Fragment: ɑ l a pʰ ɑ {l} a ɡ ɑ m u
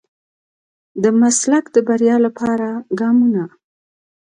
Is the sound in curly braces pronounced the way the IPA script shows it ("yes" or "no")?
no